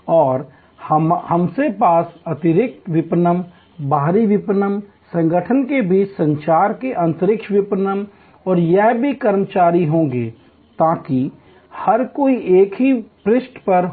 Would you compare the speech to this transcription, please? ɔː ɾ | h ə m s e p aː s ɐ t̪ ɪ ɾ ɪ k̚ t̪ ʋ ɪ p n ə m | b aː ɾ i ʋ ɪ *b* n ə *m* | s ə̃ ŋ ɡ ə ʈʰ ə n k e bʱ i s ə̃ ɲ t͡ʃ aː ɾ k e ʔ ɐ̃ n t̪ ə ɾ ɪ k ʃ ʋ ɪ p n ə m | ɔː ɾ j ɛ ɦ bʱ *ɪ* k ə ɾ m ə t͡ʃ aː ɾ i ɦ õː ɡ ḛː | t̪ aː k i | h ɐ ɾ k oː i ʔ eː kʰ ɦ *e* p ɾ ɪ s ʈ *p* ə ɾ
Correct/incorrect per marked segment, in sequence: incorrect: p, correct, incorrect: i, incorrect: i, correct

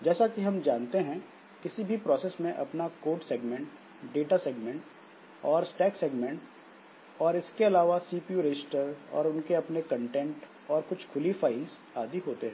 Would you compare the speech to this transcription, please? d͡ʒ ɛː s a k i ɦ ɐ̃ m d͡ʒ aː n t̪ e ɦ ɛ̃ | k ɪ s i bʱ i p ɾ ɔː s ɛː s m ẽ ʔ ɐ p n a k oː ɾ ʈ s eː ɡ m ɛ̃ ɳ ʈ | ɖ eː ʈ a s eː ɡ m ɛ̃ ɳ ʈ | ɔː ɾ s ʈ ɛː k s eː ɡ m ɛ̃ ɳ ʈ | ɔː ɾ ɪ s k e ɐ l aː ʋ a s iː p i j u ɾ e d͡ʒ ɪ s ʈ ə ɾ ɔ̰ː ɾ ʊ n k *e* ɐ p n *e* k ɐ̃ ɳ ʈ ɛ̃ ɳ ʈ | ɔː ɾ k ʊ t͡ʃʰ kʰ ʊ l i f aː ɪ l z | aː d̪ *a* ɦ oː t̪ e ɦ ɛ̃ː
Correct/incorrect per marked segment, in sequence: correct, correct, incorrect: i

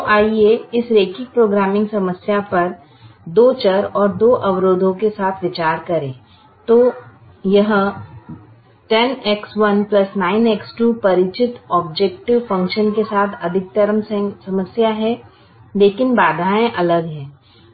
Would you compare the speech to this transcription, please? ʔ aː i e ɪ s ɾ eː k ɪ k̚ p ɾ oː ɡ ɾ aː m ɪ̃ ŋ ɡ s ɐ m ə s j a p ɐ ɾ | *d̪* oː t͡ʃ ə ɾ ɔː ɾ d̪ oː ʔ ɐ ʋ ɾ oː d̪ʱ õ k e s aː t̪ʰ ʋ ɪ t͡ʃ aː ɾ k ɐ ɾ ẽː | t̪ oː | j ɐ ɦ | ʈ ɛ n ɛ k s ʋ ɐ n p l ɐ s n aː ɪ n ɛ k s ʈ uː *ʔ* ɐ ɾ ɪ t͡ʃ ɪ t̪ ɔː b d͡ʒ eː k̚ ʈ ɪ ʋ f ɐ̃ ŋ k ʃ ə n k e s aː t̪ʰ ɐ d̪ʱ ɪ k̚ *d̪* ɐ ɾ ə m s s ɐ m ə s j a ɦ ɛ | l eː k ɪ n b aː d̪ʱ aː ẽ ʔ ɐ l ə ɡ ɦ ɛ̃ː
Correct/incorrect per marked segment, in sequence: correct, incorrect: p, incorrect: t̪

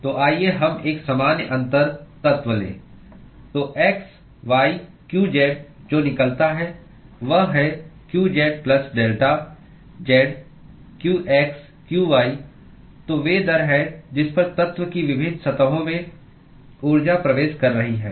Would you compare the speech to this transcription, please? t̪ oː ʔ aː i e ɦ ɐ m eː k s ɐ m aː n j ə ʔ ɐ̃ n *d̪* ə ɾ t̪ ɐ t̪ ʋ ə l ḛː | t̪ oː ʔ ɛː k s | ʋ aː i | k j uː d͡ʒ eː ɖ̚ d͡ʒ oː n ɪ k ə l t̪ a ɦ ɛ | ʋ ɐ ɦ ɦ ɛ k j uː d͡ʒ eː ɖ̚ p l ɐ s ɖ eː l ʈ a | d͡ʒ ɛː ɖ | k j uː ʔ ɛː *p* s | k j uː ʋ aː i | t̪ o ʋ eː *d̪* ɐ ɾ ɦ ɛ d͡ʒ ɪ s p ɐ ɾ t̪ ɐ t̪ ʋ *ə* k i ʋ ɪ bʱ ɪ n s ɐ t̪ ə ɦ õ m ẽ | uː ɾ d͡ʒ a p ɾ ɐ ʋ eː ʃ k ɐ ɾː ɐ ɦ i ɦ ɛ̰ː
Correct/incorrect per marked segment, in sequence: incorrect: t̪, incorrect: k, correct, correct

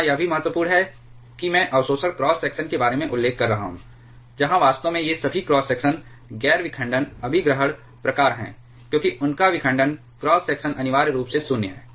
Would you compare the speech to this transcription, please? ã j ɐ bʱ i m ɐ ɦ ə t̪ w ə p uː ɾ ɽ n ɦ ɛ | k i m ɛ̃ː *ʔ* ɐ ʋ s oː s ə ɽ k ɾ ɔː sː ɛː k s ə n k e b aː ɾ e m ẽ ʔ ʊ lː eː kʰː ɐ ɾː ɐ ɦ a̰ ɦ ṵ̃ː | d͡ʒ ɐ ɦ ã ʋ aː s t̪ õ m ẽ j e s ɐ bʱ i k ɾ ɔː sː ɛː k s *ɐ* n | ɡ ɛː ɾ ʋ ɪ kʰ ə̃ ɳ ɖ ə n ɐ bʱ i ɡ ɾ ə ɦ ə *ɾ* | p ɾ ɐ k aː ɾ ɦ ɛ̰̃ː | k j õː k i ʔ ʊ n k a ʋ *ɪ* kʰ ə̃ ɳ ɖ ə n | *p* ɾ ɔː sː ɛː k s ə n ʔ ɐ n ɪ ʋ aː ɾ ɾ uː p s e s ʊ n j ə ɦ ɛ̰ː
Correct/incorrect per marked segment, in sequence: correct, incorrect: ə, incorrect: ɽ, correct, incorrect: k

